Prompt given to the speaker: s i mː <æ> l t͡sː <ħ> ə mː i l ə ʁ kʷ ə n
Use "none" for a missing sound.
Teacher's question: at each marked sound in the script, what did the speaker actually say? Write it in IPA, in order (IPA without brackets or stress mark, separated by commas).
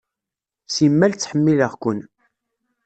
æ, ħ